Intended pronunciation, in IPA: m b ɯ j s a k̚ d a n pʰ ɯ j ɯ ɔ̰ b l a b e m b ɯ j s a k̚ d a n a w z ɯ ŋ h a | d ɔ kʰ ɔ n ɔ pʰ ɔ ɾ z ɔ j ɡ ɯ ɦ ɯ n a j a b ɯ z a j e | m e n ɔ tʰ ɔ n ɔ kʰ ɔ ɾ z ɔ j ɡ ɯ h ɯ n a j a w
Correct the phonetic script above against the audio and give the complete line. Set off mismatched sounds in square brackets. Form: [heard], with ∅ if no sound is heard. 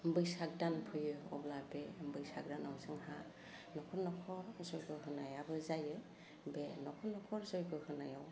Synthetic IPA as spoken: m b ɯ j s a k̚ d a n pʰ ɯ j ɯ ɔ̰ b l a b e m b ɯ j s a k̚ d a n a w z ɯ ŋ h a | [n] ɔ kʰ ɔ n ɔ [kʰ] ɔ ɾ z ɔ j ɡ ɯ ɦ ɯ n a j a b ɯ z a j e | [b] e n ɔ [kʰ] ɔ n ɔ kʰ ɔ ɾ z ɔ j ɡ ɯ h ɯ n a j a w